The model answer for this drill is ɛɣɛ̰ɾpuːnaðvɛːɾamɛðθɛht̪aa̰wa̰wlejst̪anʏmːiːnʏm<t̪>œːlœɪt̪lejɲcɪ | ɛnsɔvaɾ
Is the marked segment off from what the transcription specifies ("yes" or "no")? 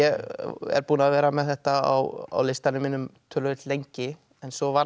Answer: yes